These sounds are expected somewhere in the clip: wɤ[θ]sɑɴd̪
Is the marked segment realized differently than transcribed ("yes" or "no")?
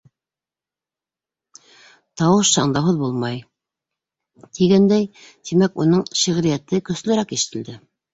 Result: yes